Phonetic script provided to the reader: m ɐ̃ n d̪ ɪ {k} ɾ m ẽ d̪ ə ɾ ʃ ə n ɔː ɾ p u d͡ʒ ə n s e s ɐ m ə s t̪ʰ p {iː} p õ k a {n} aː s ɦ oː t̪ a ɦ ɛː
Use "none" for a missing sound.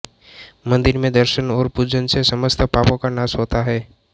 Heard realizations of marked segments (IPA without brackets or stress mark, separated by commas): none, aː, n